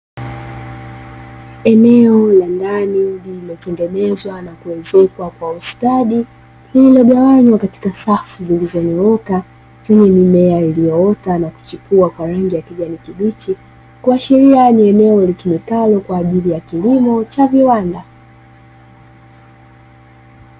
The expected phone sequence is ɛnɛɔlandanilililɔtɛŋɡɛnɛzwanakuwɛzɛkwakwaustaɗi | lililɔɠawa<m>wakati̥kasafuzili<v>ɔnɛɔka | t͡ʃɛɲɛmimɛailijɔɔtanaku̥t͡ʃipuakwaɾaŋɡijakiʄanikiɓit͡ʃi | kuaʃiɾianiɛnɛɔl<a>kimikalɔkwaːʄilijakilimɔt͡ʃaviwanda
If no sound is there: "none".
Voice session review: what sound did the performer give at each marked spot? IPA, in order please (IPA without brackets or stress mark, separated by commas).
ɲ, z, i